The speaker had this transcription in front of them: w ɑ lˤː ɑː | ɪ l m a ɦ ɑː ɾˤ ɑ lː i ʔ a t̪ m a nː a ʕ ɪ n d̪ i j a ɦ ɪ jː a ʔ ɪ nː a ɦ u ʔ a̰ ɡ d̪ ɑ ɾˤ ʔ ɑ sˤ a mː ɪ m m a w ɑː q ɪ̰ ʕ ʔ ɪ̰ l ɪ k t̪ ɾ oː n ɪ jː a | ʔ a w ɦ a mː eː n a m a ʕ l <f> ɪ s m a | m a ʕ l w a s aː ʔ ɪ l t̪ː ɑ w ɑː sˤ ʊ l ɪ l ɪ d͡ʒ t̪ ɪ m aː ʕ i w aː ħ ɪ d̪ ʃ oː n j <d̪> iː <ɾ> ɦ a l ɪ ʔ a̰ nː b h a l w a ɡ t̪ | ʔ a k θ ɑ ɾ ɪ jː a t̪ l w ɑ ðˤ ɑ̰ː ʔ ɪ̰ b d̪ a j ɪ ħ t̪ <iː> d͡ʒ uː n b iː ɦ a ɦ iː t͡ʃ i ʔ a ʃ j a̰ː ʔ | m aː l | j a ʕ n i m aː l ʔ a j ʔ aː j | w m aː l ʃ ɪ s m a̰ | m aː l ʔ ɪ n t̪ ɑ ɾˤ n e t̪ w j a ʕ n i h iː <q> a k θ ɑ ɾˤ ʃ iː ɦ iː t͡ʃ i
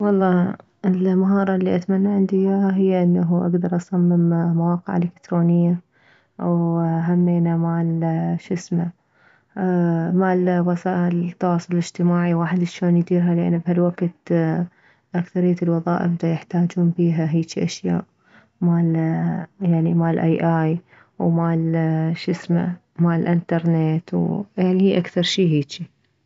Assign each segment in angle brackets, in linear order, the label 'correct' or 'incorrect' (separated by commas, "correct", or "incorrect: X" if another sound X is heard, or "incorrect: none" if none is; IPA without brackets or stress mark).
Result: incorrect: ʃ, correct, correct, incorrect: aː, incorrect: ʔ